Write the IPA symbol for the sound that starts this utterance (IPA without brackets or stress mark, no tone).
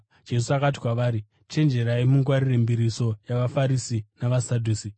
d͡ʒ